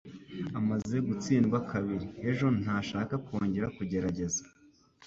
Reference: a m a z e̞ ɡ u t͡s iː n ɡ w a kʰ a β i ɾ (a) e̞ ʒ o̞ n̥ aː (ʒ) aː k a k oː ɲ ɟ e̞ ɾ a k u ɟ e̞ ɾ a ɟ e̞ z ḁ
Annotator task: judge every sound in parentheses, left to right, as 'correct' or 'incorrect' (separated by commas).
incorrect, incorrect